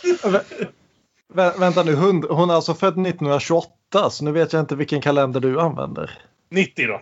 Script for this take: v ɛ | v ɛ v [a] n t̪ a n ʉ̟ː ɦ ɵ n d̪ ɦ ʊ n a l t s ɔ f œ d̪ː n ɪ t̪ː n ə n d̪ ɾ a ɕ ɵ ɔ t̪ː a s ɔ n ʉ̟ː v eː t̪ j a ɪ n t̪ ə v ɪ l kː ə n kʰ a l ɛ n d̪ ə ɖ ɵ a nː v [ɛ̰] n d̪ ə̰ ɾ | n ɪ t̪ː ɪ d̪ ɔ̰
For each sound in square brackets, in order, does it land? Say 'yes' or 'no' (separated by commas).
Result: no, yes